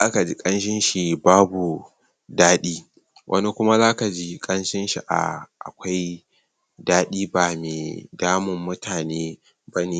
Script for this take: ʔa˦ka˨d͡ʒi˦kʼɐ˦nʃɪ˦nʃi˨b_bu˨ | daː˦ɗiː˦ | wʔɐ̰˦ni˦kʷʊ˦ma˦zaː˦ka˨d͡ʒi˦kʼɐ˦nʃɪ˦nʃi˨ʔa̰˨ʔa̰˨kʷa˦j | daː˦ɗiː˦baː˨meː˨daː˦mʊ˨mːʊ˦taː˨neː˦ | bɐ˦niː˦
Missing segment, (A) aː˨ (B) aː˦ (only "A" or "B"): B